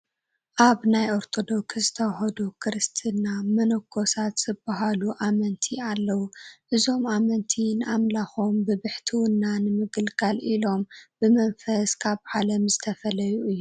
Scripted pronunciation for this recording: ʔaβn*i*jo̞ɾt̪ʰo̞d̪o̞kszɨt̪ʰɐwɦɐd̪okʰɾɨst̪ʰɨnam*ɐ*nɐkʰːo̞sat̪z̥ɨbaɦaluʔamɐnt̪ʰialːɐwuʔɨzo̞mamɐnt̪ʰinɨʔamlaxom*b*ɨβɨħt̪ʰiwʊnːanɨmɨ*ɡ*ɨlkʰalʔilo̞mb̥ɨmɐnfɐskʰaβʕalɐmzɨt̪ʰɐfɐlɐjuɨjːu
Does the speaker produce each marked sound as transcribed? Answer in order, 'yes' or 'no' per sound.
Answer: no, yes, yes, yes

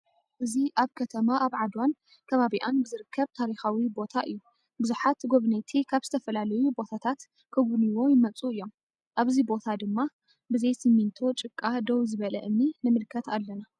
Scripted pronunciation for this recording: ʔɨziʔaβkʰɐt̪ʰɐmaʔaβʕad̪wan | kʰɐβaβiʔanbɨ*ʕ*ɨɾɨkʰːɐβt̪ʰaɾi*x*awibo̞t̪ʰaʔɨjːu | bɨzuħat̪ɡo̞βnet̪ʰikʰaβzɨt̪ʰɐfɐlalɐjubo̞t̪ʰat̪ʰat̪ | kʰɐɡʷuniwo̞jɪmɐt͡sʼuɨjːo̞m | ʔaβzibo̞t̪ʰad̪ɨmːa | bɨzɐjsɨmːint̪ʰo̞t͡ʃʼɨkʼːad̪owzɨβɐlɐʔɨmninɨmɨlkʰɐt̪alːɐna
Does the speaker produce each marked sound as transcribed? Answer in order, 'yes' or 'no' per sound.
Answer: no, yes

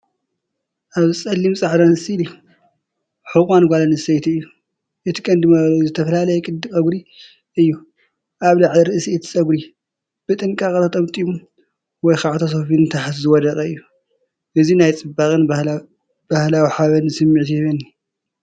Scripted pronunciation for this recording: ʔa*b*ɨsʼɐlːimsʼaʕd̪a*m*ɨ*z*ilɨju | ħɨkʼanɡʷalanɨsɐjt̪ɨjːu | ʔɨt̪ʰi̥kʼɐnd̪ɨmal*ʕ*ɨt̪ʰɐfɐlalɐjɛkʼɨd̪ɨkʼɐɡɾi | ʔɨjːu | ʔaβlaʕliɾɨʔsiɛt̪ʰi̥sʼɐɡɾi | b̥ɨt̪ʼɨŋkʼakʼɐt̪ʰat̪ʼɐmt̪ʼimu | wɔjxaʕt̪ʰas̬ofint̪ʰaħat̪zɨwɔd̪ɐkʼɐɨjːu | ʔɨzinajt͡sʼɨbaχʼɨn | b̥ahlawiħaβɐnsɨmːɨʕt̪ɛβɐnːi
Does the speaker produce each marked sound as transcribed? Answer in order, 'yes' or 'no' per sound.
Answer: no, no, no, no

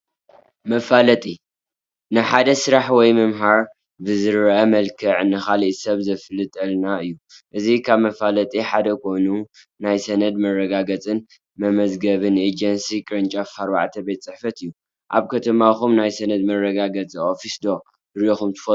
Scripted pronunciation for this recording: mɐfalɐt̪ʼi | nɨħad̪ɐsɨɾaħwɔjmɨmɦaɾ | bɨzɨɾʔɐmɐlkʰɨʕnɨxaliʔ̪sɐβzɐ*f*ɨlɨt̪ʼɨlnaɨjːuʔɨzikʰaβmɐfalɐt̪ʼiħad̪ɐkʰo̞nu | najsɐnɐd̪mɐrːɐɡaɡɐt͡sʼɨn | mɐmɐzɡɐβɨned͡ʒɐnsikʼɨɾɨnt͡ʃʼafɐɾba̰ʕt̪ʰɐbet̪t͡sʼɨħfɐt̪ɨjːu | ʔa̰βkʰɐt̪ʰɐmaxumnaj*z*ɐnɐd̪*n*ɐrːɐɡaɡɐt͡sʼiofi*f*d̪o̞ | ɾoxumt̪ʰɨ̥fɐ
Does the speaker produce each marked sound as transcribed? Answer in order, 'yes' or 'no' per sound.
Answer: yes, no, no, no

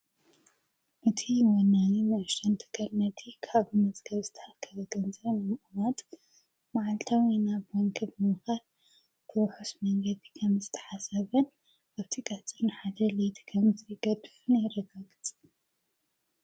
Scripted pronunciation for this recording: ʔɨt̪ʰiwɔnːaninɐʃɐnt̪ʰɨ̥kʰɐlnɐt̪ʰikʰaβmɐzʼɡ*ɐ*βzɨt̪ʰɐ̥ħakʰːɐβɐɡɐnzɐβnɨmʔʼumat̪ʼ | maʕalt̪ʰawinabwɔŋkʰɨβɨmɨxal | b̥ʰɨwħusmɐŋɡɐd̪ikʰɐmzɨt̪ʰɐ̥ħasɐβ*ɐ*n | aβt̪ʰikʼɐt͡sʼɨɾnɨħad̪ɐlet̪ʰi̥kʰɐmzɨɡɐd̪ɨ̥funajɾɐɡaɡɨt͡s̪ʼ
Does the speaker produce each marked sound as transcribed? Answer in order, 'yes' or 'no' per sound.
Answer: yes, yes

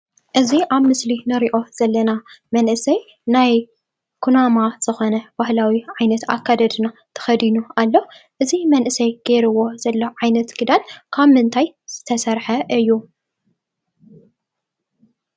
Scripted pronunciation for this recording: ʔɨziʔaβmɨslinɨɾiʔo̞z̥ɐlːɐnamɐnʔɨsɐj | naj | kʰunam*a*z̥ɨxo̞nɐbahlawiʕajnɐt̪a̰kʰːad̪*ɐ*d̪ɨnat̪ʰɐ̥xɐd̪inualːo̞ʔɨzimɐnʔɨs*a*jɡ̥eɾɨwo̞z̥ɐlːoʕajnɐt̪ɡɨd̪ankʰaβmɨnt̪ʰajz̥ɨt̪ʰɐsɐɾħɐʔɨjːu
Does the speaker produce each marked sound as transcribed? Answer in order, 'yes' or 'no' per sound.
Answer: yes, yes, no

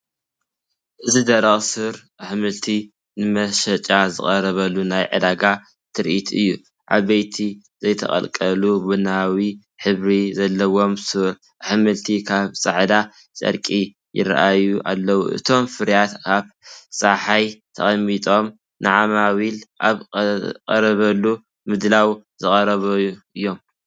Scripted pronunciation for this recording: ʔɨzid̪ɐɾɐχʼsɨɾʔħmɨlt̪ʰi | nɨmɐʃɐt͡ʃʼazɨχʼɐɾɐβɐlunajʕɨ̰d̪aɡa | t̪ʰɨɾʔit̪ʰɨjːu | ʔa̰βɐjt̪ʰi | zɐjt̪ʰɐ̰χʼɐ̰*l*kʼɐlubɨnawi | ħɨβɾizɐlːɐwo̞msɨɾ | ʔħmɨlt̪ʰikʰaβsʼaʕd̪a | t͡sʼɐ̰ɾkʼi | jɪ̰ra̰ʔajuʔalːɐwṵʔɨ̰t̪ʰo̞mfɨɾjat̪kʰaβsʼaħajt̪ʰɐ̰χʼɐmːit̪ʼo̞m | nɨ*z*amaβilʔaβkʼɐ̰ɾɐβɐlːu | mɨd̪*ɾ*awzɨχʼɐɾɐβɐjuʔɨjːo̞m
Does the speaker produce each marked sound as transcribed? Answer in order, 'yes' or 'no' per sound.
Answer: yes, no, no

